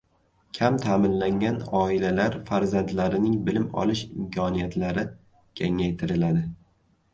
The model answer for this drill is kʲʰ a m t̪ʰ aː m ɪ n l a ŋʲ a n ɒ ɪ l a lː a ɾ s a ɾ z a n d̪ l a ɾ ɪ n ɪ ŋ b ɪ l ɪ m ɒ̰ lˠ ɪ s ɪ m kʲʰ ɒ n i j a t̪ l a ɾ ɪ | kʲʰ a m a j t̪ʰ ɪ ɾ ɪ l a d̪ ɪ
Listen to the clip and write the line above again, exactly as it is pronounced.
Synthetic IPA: kʲʰ a m t̪ʰ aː m ɪ n l a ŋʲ a n ɒ ɪ l a l a ɾ f a ɾ z a n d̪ l a ɾ ɪ n ɪ ŋ b ɪ l ɪ m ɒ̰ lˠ ɪ ʃ ɪ m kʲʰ ɒ n i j a t̪ l a ɾ ɪ | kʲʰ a ŋ a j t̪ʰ ɪ ɾ ɪ l a d̪ ɪ